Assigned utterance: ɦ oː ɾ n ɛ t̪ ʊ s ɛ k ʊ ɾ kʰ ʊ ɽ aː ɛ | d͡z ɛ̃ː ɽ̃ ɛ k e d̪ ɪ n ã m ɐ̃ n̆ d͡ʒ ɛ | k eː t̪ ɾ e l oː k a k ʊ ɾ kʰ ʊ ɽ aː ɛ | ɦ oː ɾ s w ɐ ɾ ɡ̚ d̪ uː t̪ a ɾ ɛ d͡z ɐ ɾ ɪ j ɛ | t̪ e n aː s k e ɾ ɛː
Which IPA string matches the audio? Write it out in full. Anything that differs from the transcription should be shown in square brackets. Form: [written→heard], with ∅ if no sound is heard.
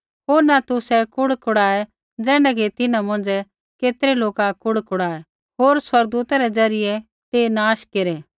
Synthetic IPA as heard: ɦ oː ɾ n [ɛ→a] t̪ ʊ s ɛ k ʊ [ɾ→ɽ] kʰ ʊ ɽ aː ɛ | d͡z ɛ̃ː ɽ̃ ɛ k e [d̪→t̪] ɪ n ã m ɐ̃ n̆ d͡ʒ ɛ | k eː t̪ ɾ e l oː k a k ʊ [ɾ→ɽ] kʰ ʊ ɽ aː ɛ | ɦ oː ɾ s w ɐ ɾ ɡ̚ d̪ uː t̪ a ɾ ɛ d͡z ɐ ɾ ɪ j ɛ | t̪ e n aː [s→ʃ] k e ɾ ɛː